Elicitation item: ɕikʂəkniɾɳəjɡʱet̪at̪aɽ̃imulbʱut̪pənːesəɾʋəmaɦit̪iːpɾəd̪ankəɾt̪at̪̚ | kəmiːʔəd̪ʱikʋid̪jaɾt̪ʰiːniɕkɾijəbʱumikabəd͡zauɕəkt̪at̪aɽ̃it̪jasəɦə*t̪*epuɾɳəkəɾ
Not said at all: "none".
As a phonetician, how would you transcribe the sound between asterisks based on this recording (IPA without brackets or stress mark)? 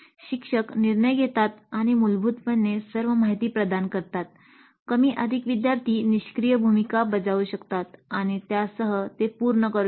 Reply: t̪